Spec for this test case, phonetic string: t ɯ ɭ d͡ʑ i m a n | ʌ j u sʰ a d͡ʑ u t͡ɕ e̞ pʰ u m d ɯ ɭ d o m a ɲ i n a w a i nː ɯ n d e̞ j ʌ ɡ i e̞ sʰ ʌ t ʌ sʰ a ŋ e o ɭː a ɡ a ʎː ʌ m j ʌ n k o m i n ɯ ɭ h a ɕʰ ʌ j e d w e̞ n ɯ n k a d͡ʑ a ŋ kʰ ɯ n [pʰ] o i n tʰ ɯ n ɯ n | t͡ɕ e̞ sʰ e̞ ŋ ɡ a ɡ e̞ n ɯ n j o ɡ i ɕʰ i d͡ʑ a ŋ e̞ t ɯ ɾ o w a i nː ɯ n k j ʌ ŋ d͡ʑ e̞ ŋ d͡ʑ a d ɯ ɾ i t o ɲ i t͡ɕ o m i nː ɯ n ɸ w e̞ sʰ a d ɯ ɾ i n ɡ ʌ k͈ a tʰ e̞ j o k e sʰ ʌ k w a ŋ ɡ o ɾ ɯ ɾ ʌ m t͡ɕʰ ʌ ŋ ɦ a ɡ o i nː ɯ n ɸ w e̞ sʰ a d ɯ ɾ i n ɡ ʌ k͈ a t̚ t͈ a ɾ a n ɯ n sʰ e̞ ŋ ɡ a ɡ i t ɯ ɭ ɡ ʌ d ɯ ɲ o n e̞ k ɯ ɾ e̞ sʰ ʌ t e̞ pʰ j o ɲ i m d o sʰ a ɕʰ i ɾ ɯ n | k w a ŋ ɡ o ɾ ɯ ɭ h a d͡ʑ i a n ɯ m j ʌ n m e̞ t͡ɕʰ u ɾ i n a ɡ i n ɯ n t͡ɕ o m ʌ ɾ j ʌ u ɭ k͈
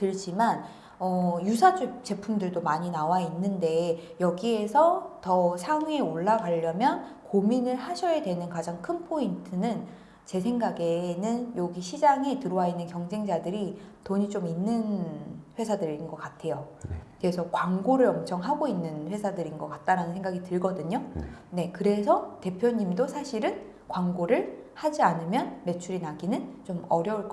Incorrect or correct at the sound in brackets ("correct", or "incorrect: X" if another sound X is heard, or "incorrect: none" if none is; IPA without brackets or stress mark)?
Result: correct